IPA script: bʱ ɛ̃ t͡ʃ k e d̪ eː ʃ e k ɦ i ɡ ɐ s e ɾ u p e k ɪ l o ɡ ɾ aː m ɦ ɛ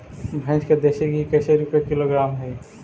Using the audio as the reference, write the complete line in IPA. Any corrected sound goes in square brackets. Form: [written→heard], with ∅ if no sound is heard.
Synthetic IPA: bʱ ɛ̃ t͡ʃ k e d̪ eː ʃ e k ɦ i [ɡ→k] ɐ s e ɾ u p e k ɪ l o ɡ ɾ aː m ɦ ɛ